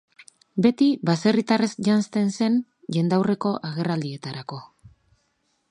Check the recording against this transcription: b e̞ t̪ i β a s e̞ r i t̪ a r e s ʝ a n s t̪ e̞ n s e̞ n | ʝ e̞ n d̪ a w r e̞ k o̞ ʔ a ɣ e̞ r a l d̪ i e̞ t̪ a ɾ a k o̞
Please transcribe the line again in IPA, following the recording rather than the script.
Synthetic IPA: b e̞ t̪ i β a s e̞ r i t̪ a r e s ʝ a n s t̪ e̞ n s e̞ n | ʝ e̞ n d̪ a w r e̞ k o̞ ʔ a ɣ e̞ r a l d̪ i e̞ t̪ a ɾ a k o̞

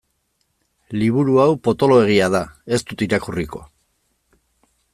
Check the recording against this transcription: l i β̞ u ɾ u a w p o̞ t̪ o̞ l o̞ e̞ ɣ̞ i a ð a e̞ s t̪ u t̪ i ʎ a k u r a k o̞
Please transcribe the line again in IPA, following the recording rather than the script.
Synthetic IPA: l i β̞ u ɾ u a w p o̞ t̪ o̞ l o̞ e̞ ɣ̞ i a ð a e̞ s t̪ u t̪ i ɾ a k u r i k o̞

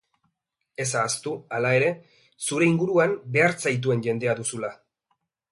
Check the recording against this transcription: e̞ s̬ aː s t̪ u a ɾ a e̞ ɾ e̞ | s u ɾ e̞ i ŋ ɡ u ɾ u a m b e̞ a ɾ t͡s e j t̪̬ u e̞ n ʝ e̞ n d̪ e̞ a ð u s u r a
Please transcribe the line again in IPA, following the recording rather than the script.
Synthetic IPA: e̞ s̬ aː s t̪ u a l a e̞ ɾ e̞ | s u ɾ e̞ i ŋ ɡ u ɾ u a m b e̞ a ɾ t͡s a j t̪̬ u e̞ n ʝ e̞ n d̪ e̞ a ð u s u l a

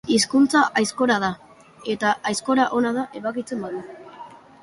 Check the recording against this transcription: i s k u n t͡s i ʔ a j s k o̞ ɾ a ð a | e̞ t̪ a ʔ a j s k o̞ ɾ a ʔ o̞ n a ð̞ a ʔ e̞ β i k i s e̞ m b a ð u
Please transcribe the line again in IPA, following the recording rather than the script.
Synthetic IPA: i s k u n t͡s a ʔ a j s k o̞ ɾ a ð a | e̞ t̪ a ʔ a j s k o̞ ɾ a ʔ o̞ n a ð̞ a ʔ e̞ β a k i t͡s e̞ m b a ð u

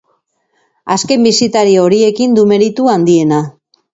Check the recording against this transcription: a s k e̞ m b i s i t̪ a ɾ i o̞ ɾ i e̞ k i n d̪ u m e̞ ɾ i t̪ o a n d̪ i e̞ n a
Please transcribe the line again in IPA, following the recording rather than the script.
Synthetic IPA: a s k e̞ m b i s i t̪ a ɾ i o̞ ɾ i e̞ k i n d̪ u m e̞ ɾ i t̪ u a n d̪ i e̞ n a

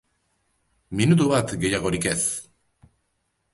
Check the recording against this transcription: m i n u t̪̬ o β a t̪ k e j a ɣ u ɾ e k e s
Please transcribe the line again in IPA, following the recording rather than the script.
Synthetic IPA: m i n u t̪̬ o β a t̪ ɡ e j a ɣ o ɾ i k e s

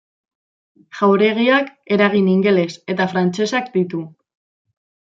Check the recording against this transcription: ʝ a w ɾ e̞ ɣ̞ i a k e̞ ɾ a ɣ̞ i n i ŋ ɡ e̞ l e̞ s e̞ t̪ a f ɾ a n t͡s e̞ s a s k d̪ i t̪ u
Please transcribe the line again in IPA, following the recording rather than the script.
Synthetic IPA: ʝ a w ɾ e̞ ɣ̞ i a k e̞ ɾ a ɣ̞ i n i ŋ ɡ e̞ l e̞ s e̞ t̪ a f ɾ a n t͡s e̞ s a k d̪ i t̪ u

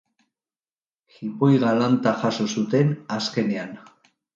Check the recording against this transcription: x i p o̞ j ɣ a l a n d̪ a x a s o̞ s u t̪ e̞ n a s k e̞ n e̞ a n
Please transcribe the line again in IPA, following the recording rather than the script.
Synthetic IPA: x i p o̞ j ɣ a l a n t̪ a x a s o̞ s u t̪ e̞ n a s k e̞ n e̞ a n

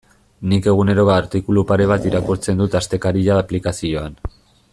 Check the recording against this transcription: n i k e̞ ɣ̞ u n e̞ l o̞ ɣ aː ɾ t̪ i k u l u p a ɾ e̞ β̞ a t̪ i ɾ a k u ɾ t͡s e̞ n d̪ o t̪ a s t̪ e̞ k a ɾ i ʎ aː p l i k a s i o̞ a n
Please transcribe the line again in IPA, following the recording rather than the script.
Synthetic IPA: n i k e̞ ɣ̞ u n e̞ ɾ o̞ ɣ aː ɾ t̪ i k u l u p a ɾ e̞ β̞ a t̪ i ɾ a k u ɾ t͡s e̞ n d̪ u t̪ a s t̪ e̞ k a ɾ i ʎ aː p l i k a s i o̞ a n

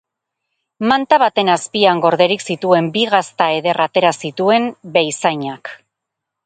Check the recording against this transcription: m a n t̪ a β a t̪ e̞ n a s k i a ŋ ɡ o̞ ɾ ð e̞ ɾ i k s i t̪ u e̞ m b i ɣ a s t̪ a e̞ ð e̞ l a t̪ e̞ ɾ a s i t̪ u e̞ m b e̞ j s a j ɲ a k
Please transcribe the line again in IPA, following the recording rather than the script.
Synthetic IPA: m a n t̪ a β a t̪ e̞ n a s p i a ŋ ɡ o̞ ɾ ð e̞ ɾ i k s i t̪ u e̞ m b i ɣ a s t̪ a e̞ ð e̞ r a t̪ e̞ ɾ a s i t̪ u e̞ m b e̞ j s a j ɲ a k

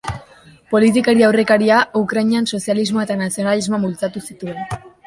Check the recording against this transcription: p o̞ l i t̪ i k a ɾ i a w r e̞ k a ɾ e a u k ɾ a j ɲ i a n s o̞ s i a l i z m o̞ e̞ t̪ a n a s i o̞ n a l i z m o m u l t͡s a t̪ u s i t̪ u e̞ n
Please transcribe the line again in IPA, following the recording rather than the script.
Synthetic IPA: p o̞ l i t̪ i k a ɾ i a w r e̞ k a ɾ i a u k ɾ a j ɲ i a n s o̞ s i a l i z m o̞ e̞ t̪ a n a s i o̞ n a l i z m o m u l t͡s a t̪ u s i t̪ u e̞ n

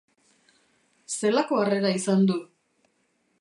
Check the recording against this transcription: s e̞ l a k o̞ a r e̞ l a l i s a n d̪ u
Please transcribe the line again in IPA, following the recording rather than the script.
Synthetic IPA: s e̞ l a k o̞ a r e̞ ɾ a i s a n d̪ u

